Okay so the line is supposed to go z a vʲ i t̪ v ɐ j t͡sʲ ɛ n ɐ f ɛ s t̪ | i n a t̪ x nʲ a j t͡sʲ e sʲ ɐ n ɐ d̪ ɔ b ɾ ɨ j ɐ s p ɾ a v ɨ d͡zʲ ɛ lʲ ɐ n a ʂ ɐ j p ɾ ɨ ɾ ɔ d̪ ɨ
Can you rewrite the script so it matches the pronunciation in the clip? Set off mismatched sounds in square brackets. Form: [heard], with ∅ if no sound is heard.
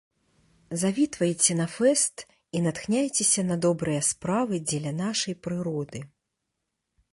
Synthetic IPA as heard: z a vʲ i t̪ v ɐ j t͡sʲ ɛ n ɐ f ɛ s t̪ | i n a t̪ x nʲ a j t͡sʲ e sʲ ɐ n ɐ d̪ ɔ b ɾ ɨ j ɐ s p ɾ a v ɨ d͡zʲ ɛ lʲ ɐ n a ʂ ɐ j p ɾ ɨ ɾ ɔ d̪ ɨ